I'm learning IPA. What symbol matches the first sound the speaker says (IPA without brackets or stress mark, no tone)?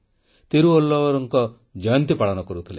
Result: t̪